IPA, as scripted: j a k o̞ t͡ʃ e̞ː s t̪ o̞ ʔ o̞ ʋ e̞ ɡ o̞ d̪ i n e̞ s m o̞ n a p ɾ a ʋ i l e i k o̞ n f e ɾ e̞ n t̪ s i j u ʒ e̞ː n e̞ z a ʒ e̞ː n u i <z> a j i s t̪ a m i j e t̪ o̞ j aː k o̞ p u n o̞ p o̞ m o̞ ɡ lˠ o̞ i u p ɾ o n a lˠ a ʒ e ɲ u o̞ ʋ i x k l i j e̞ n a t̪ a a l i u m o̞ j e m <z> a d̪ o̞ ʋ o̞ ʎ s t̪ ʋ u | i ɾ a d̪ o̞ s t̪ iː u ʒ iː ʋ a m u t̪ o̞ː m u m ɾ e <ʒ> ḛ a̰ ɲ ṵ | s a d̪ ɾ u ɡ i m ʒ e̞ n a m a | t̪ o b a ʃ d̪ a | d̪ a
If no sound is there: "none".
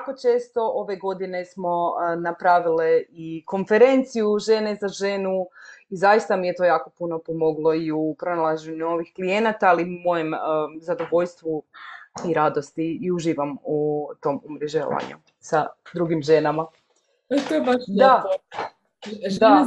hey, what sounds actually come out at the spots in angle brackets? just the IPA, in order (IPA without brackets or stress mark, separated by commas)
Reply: z, z, ʒ